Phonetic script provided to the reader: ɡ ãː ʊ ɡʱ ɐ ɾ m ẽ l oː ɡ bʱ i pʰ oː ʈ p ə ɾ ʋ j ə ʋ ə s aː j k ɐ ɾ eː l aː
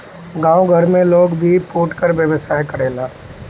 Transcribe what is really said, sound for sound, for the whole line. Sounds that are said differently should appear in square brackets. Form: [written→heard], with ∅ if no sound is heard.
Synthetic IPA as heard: ɡ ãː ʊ ɡʱ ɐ ɾ m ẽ l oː ɡ bʱ i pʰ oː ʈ [p→k] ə ɾ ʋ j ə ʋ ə s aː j k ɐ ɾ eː l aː